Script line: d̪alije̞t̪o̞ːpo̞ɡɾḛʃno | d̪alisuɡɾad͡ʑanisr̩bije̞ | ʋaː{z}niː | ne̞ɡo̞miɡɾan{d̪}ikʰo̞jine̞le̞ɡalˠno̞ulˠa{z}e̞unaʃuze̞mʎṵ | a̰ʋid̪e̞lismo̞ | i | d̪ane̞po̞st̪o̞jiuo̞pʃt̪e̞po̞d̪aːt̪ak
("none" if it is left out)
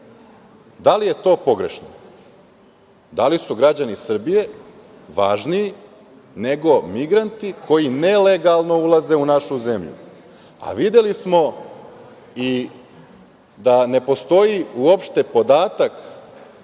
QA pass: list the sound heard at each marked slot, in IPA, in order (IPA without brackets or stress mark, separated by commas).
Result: ʒ, t̪, z